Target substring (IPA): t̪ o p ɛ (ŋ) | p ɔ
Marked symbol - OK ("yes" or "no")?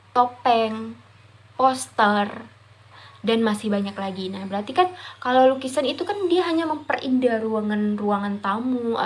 yes